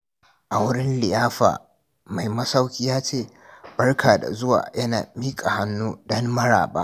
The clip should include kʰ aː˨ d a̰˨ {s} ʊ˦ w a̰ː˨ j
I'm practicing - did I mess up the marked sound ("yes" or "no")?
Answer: yes